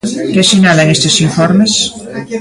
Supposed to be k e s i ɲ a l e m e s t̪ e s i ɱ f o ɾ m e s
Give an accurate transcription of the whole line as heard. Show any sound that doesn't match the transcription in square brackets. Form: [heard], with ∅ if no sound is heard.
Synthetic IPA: k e s i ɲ a l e [ŋ] e s t̪ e s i ɱ f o ɾ m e s